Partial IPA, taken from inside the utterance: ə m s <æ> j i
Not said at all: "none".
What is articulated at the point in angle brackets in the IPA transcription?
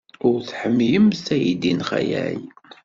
æ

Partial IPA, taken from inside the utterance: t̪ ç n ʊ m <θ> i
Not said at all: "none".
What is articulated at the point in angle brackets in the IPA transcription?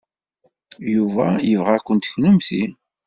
θ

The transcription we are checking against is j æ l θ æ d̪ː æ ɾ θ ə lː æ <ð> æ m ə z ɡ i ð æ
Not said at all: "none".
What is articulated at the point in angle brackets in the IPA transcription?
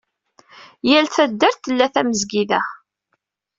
θ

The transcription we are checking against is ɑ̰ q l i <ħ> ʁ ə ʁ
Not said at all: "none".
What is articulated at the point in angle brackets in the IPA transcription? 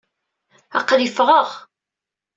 f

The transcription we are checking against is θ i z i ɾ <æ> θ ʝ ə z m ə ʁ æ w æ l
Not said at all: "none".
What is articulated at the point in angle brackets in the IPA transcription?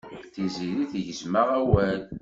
i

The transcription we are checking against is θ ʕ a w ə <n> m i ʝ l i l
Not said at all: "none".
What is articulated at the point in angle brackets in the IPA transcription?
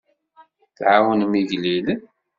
n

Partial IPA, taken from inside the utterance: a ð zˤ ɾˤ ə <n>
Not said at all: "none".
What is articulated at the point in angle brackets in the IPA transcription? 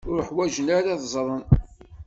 n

